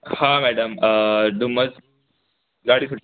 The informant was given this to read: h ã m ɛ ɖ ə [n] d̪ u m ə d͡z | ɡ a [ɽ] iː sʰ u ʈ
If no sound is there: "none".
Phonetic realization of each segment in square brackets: m, ɽ

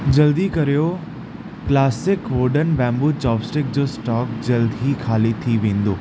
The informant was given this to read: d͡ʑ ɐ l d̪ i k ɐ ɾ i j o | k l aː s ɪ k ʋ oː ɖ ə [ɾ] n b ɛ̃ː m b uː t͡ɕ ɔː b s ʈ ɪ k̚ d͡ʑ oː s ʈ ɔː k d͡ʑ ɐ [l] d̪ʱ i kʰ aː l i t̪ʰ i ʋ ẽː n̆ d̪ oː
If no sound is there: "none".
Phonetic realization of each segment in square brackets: none, l

